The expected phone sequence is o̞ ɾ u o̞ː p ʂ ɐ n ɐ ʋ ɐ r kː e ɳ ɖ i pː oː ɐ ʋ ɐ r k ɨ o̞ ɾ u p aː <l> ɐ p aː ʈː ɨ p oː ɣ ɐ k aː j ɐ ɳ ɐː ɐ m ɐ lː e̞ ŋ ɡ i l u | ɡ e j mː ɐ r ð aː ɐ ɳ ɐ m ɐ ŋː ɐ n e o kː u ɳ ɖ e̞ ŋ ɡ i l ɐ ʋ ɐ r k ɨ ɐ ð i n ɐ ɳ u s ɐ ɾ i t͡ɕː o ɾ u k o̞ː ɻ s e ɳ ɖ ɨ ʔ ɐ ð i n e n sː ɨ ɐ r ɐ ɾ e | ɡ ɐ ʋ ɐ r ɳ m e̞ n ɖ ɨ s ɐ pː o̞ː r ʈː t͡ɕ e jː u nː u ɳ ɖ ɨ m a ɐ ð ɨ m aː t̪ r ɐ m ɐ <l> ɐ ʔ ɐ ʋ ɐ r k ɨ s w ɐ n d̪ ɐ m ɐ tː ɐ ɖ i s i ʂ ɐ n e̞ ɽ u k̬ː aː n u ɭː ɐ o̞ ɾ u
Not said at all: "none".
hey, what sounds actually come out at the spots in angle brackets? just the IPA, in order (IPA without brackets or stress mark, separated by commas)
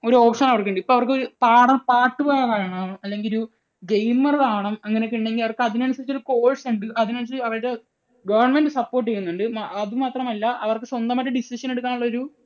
ɽ, lː